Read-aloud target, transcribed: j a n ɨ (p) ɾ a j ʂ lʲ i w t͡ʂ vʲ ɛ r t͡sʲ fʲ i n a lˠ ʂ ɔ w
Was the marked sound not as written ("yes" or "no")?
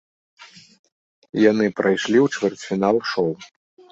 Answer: no